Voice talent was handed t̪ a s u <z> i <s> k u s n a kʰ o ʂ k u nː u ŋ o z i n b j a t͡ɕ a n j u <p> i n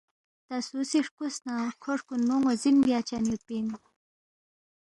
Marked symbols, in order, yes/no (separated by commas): no, no, yes